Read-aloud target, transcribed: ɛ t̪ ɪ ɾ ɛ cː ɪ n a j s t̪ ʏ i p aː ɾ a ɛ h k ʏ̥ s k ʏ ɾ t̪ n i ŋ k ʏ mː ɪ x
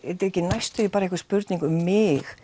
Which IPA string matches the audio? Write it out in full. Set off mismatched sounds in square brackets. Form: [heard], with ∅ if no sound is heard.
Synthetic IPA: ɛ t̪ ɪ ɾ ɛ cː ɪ n a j s t̪ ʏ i p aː ɾ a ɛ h k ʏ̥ s [p] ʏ ɾ t̪ n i ŋ k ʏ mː ɪ x